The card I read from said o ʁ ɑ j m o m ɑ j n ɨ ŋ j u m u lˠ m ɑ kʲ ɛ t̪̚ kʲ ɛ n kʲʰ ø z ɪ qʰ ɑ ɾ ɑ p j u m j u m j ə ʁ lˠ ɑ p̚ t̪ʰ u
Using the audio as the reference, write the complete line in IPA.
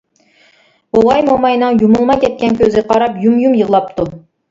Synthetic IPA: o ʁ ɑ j m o m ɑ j n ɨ ŋ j u m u lˠ m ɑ kʲ ɛ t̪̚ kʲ ɛ n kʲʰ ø z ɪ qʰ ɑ ɾ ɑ p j u m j u m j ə ʁ lˠ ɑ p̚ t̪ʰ u